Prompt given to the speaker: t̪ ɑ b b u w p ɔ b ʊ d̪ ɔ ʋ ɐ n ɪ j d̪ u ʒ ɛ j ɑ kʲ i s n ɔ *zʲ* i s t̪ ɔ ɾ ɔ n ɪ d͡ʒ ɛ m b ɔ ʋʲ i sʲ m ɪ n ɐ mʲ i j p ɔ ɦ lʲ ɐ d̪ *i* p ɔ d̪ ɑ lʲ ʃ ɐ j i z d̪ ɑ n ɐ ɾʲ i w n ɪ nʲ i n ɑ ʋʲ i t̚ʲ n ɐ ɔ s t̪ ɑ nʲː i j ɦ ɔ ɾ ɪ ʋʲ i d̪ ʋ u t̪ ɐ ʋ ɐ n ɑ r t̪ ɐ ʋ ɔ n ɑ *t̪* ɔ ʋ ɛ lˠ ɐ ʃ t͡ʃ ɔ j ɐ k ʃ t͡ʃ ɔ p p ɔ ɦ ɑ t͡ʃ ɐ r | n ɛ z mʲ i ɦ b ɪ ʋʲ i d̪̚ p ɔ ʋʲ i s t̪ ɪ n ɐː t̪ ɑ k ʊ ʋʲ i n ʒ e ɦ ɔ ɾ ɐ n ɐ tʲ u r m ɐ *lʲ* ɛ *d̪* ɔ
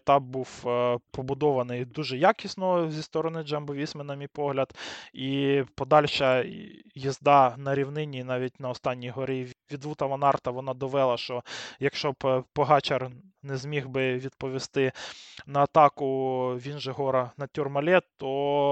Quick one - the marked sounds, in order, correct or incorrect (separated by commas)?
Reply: correct, correct, incorrect, correct, incorrect